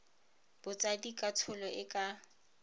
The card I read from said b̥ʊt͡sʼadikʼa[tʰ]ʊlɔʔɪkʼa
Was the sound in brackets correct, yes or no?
yes